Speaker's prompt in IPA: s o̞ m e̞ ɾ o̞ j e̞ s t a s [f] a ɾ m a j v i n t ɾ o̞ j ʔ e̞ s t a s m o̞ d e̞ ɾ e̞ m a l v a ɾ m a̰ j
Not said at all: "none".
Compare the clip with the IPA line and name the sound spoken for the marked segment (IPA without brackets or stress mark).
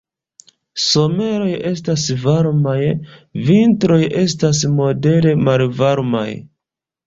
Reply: v